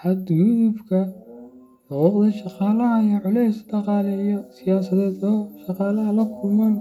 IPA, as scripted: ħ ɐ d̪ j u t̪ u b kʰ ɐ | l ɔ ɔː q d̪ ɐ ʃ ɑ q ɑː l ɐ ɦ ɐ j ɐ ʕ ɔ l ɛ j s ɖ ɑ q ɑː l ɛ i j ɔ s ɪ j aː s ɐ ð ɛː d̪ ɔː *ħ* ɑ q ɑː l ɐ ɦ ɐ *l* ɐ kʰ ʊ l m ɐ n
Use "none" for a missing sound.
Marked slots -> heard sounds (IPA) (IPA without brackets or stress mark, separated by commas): ʃ, l